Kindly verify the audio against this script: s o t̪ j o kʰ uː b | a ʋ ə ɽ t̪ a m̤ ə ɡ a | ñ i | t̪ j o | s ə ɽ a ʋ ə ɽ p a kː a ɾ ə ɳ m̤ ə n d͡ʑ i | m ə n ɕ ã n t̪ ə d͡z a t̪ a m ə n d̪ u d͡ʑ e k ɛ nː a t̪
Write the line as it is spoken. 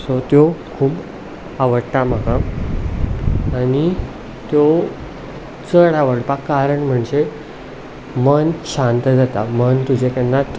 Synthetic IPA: s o t̪ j o kʰ uː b | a ʋ ə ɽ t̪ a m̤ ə ɡ a | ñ i | t̪ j o | t͡s ə ɽ a ʋ ə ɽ p a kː a ɾ ə ɳ m̤ ə ɳ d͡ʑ e | m ə n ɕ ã n t̪ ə d͡z a t̪ a m ə n t̪ u d͡ʑ e k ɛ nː a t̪